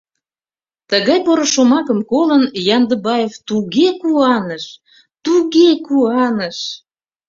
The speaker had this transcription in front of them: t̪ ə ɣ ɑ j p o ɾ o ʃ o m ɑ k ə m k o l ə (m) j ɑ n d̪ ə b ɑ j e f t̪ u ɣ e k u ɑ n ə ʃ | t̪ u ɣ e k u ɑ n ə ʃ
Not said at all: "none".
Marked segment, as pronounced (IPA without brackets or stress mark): n